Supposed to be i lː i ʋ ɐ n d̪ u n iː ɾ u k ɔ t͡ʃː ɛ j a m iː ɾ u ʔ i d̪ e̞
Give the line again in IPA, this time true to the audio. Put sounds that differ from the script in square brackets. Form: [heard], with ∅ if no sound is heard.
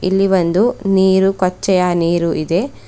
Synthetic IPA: i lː i ʋ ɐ n d̪ u n iː ɾ u k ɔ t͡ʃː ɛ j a [n] iː ɾ u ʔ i d̪ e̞

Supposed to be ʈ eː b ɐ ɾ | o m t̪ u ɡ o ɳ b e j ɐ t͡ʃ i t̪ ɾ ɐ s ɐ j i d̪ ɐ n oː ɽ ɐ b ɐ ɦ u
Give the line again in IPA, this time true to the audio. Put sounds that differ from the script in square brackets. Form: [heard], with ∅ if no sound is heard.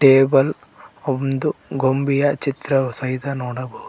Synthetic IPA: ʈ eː b ɐ [l] | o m [d̪] u ɡ o [m] b [i] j ɐ t͡ʃ i t̪ ɾ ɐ s ɐ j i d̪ ɐ n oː ɽ ɐ b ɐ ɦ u

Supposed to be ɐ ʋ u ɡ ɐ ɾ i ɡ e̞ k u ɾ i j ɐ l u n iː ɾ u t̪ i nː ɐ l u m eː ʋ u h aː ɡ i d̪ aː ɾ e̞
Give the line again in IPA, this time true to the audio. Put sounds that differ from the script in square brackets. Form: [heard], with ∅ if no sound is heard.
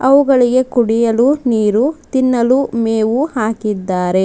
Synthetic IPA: ɐ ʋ u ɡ ɐ [ɭ] i ɡ e̞ k u [ɽ] i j ɐ l u n iː ɾ u t̪ i nː ɐ l u m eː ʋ u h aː [k] i [d̪ː] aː ɾ e̞

